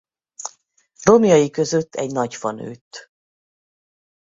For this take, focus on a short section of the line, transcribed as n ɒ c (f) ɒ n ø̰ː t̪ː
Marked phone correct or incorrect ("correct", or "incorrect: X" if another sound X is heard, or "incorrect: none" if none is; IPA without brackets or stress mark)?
correct